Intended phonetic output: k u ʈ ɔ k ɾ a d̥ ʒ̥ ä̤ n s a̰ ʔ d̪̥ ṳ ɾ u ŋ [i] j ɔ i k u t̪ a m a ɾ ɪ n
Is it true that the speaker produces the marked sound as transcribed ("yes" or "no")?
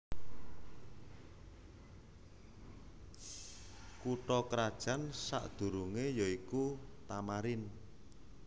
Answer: no